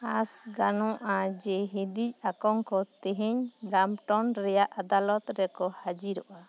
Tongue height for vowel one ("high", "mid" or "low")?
low